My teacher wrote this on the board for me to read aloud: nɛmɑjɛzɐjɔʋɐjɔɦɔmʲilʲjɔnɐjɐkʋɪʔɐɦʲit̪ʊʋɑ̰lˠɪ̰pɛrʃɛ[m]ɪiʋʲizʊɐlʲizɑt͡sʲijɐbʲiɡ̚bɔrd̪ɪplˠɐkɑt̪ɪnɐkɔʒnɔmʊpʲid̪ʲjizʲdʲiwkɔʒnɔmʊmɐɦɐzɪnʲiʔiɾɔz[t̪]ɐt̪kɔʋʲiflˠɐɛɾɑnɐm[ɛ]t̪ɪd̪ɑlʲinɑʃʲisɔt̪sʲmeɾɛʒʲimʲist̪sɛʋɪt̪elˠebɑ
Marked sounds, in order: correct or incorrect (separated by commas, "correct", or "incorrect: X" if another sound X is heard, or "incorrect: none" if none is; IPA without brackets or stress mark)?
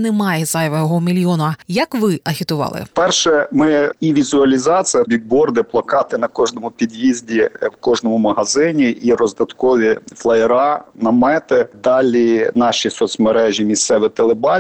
correct, incorrect: d̪, correct